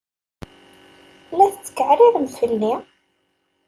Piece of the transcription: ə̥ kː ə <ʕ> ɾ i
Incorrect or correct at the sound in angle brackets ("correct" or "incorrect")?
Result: correct